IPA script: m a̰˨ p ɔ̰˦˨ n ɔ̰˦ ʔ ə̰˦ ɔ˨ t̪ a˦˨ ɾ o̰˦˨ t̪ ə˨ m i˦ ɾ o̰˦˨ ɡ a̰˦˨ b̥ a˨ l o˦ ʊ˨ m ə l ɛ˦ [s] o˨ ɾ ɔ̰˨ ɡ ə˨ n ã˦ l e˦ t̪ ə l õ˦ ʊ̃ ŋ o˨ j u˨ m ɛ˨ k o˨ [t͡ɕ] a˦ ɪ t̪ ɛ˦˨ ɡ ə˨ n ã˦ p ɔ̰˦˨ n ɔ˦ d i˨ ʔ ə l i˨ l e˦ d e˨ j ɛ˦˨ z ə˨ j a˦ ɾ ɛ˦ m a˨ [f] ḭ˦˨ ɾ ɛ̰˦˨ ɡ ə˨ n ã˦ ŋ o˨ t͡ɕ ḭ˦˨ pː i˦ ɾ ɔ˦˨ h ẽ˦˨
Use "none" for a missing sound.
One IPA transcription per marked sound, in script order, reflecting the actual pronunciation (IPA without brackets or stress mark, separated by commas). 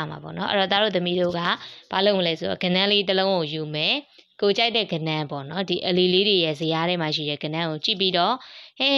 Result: s, t͡ɕ, ʃ